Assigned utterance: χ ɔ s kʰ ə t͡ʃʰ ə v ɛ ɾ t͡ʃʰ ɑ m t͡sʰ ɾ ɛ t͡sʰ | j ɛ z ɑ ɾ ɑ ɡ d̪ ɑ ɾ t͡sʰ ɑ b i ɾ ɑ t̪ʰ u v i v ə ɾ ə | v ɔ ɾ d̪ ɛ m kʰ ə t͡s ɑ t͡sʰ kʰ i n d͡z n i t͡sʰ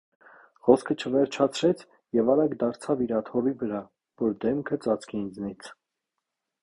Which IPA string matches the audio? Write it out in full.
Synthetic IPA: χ ɔ s kʰ ə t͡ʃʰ ə v ɛ ɾ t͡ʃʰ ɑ t͡sʰ ɾ ɛ t͡sʰ | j ɛ v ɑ ɾ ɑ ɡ d̪ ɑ ɾ t͡sʰ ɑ v i ɾ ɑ t̪ʰ ɔ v i v ə ɾ ɑ | v ɔ ɾ d̪ ɛ m kʰ ə t͡s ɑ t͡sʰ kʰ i n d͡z n i t͡sʰ